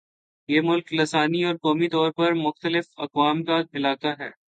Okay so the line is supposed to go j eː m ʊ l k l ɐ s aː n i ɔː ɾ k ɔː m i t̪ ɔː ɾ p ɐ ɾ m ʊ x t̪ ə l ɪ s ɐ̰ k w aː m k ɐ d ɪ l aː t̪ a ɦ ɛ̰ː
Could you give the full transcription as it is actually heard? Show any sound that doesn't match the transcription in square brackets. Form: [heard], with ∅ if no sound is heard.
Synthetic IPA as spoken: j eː m ʊ l k l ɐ s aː n i ɔː ɾ k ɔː m i t̪ ɔː ɾ p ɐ ɾ m ʊ x t̪ ə l ɪ [f] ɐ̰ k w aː m k [a] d ɪ l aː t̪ a ɦ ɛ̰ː